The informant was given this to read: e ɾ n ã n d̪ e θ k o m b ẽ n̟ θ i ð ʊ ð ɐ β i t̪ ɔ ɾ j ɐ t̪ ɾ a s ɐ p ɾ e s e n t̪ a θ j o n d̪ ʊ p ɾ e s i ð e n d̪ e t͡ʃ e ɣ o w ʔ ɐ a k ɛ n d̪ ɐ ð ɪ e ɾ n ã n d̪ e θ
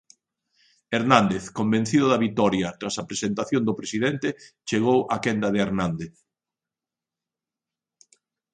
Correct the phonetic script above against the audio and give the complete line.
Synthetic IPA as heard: e ɾ n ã n d̪ e θ k o m b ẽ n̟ θ i ð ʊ ð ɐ β i t̪ ɔ ɾ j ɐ t̪ ɾ a s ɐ p ɾ e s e n t̪ a θ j o n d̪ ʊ p ɾ e s i ð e n t̪ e t͡ʃ e ɣ o w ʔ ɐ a k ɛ n d̪ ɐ ð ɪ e ɾ n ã n d̪ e θ